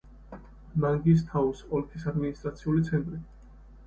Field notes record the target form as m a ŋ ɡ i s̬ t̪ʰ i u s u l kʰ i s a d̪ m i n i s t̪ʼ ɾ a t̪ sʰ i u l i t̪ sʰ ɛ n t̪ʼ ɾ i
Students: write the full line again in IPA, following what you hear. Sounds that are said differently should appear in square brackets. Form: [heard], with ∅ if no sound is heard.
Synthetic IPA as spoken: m a ŋ ɡ i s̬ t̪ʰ [a] u s [ɔ] l kʰ i s a d̪ m i n i s t̪ʼ ɾ a t̪ sʰ i u l i t̪ sʰ ɛ n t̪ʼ ɾ i